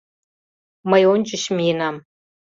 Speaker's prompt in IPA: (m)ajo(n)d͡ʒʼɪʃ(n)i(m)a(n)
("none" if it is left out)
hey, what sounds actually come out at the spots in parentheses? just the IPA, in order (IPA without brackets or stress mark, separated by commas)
m, n, m, n, m